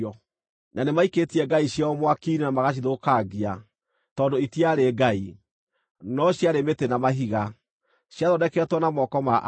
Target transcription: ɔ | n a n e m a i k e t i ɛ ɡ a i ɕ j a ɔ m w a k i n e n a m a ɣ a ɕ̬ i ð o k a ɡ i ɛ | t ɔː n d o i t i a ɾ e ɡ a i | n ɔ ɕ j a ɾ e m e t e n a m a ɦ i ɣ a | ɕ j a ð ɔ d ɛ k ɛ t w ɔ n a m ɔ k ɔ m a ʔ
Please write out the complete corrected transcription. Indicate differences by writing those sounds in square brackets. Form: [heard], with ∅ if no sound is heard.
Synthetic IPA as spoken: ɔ | n a n e m a i k e t i ɛ ɡ a i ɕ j a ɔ m w a k i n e n a m a ɣ a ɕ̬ i ð o k a ɡ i [a] | t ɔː n d o i t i a ɾ e ɡ a i | n ɔ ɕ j a ɾ e m e t e n a m a ɦ i ɣ a | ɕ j a ð ɔ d ɛ k ɛ t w ɔ n a m ɔ k ɔ m a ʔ